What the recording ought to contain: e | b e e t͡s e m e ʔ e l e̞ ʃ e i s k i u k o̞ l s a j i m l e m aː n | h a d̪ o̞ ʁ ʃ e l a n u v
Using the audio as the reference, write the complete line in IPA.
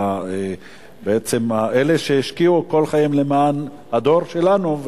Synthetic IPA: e | b e e t͡s e m a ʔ e l e̞ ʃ e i ʃ k i u k o̞ l χ a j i m l e m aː n | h a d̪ o̞ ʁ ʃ e l a n u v